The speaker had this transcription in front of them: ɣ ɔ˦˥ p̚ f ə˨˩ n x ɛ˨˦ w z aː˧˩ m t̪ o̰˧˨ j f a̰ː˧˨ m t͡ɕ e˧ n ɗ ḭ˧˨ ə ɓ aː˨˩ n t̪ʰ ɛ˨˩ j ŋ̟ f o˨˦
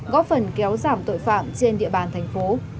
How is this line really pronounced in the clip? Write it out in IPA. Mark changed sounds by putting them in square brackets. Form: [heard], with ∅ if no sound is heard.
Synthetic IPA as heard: ɣ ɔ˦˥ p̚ f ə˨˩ n [k] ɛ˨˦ w z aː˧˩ m t̪ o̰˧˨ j f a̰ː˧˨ m t͡ɕ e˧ n ɗ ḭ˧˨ ə ɓ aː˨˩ n t̪ʰ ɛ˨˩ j ŋ̟ f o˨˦